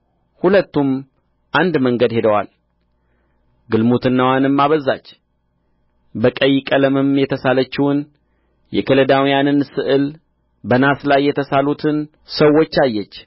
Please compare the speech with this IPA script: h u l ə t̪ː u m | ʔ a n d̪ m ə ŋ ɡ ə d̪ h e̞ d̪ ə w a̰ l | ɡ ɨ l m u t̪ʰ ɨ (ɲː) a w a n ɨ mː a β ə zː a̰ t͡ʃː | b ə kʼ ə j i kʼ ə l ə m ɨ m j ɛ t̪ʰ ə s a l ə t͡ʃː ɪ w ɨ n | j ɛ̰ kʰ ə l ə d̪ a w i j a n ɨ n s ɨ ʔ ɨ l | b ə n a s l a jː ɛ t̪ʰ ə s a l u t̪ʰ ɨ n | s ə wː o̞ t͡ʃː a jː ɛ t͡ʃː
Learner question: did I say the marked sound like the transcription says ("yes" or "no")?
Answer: no